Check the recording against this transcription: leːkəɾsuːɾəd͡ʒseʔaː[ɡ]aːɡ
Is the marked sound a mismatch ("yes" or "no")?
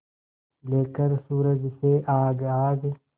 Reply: no